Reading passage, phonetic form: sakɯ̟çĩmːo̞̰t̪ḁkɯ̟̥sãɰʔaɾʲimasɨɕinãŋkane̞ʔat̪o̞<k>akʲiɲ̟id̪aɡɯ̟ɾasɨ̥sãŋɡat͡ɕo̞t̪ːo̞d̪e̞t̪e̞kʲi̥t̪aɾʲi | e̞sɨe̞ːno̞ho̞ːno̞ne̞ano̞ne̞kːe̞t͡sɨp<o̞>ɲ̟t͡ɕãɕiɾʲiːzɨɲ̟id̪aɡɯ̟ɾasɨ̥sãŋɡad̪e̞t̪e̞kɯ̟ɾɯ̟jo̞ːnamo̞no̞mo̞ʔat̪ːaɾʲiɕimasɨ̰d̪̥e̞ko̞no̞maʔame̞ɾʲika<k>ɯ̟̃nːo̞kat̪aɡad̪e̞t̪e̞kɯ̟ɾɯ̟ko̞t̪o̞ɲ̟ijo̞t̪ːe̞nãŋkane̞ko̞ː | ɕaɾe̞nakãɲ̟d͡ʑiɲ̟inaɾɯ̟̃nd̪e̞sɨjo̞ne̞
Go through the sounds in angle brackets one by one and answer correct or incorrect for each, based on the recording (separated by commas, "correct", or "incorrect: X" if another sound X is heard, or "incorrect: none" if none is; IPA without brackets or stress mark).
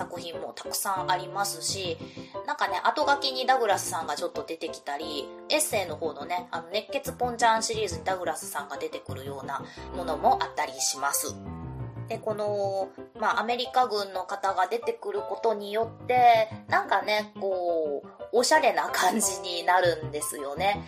incorrect: ɡ, incorrect: õ̞, incorrect: ɡ